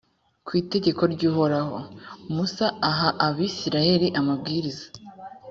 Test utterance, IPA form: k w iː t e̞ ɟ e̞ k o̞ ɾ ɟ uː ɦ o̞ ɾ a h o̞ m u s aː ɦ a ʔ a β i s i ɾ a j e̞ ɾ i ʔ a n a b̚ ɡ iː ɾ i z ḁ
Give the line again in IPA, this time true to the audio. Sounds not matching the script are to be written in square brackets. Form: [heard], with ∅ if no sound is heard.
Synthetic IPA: k w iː t e̞ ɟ e̞ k o̞ ɾ ɟ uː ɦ o̞ ɾ a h o̞ m u s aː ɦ a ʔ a β i s i ɾ a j e̞ ɾ i ʔ a [m] a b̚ ɡ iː ɾ i z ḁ